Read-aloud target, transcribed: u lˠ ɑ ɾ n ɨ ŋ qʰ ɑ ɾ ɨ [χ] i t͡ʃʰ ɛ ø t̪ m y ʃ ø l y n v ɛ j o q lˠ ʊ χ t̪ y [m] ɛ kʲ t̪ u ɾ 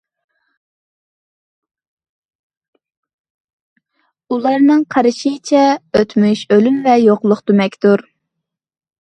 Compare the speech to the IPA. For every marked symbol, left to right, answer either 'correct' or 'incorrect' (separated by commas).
incorrect, correct